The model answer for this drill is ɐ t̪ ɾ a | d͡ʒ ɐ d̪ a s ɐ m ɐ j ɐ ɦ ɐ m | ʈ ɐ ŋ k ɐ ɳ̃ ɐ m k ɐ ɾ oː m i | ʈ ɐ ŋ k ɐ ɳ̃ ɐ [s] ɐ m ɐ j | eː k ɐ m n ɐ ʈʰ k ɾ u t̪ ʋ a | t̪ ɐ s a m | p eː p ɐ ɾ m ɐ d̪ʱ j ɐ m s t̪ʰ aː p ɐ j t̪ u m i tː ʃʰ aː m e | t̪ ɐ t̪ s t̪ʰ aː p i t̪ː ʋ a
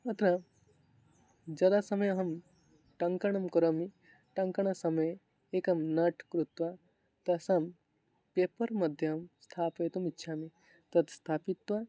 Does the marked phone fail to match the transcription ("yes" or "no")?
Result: no